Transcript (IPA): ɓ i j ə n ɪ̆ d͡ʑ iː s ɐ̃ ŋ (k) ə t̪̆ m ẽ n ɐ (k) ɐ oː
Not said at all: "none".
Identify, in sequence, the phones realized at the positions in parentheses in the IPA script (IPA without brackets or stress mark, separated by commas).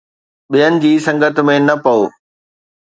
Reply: ɡ, p